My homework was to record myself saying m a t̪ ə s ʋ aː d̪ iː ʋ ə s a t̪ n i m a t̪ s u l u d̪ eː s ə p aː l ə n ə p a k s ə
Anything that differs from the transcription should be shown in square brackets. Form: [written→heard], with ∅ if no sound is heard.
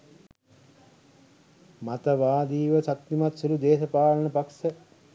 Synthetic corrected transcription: m a t̪ ə [s→∅] ʋ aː d̪ iː ʋ ə s a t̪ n i m a t̪ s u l u d̪ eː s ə p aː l ə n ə p a k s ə